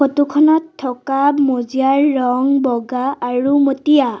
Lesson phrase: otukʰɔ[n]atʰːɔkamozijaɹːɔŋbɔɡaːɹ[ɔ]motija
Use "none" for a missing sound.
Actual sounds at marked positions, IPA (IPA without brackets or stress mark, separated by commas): n, u